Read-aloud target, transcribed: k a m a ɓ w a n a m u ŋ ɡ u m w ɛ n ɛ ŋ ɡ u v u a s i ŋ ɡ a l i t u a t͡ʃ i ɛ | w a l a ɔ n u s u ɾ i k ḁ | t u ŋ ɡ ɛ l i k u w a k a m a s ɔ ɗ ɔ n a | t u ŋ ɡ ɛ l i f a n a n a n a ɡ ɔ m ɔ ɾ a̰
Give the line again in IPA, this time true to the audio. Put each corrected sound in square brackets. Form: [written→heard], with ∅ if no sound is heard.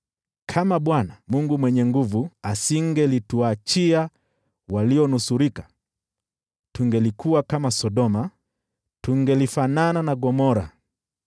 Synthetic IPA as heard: [k→kʰ] a m a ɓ w a n a m u ŋ ɡ u m w ɛ [n→ɲ] ɛ ŋ ɡ u v u a s i ŋ ɡ [a→ɛ] l i t u a t͡ʃ i [ɛ→a] | w a l [a→i] ɔ n u s u ɾ i k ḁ | t u ŋ ɡ ɛ l i k u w a k a m a s ɔ ɗ ɔ [n→m] a | t u ŋ ɡ ɛ l i f a n a n a n a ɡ ɔ m ɔ ɾ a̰